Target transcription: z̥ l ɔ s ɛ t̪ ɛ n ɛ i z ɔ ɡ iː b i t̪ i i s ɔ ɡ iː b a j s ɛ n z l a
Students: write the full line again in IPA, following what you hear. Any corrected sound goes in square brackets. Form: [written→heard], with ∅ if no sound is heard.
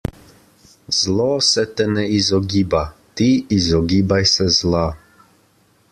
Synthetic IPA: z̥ l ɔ s ɛ t̪ ɛ n ɛ i z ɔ ɡ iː b [i→a] t̪ i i [s→z] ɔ ɡ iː b a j s ɛ [n→∅] z l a